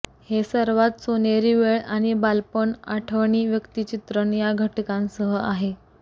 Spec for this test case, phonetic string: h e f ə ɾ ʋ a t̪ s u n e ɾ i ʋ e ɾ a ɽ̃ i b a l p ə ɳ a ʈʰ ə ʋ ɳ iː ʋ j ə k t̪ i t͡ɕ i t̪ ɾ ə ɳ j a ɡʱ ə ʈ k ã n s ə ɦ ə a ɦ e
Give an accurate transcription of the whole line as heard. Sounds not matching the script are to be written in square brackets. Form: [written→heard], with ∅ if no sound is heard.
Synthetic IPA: h e [f→s] ə ɾ ʋ a t̪ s [u→o] n e ɾ i ʋ e [ɾ→ɭ] a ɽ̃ i b a l p ə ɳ a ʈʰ ə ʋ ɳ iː ʋ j ə k t̪ i t͡ɕ i t̪ ɾ ə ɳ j a ɡʱ ə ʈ k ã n s ə ɦ ə a ɦ e